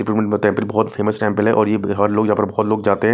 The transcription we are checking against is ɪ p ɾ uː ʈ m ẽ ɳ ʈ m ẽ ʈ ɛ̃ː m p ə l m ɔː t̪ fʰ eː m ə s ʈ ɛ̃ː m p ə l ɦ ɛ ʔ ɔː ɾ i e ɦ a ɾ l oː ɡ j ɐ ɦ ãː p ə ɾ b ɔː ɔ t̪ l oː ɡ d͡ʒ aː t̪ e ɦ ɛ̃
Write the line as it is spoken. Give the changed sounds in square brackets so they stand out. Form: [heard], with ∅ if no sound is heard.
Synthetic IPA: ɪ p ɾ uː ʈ m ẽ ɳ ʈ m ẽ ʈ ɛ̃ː m p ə l [b] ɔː t̪ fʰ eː m ə s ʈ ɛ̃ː m p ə l ɦ ɛ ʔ ɔː ɾ [j] e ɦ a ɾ l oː ɡ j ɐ ɦ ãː p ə ɾ b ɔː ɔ t̪ l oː ɡ d͡ʒ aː t̪ e ɦ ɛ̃